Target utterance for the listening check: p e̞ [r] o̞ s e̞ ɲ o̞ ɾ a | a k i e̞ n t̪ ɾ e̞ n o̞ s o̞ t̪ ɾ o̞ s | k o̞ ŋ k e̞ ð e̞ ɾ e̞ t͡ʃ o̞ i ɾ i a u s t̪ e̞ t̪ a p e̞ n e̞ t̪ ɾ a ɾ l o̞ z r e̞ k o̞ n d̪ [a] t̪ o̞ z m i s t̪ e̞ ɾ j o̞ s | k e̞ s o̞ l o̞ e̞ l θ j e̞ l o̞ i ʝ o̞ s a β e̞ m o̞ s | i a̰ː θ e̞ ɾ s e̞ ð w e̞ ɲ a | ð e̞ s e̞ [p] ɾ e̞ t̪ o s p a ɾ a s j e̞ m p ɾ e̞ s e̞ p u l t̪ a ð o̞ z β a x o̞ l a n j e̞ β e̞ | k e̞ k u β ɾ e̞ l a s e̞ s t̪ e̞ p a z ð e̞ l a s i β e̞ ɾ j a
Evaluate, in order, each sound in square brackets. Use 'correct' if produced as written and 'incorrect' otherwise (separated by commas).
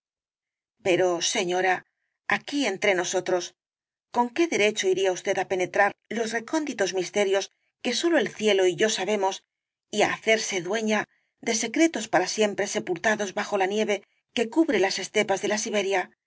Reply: incorrect, incorrect, incorrect